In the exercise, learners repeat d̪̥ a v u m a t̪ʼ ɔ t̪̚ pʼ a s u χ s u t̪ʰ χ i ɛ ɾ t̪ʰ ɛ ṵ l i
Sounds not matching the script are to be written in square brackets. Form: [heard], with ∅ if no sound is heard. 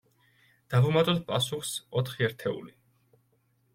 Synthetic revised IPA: d̪̥ a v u m a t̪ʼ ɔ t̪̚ pʼ a s u χ s [ɔ] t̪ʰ χ i ɛ ɾ t̪ʰ ɛ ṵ l i